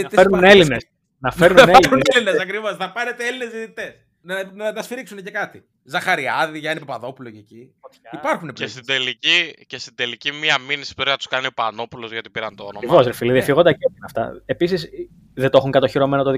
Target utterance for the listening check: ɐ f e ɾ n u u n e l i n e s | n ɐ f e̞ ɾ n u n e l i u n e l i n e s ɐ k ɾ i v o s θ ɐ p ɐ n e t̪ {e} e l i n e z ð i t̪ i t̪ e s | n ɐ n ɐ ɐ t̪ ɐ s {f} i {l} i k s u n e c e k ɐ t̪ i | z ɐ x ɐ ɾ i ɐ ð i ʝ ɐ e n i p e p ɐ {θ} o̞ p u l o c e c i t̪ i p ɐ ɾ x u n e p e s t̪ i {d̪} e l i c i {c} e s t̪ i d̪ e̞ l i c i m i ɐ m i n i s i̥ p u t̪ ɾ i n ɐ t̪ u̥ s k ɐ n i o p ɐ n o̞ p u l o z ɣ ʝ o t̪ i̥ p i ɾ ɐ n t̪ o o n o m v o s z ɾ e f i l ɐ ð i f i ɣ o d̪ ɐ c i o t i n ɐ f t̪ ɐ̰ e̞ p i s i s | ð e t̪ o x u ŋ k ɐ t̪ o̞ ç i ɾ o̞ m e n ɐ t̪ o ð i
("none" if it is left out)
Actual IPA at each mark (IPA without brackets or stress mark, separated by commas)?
e, f, ɾ, ð, d̪, c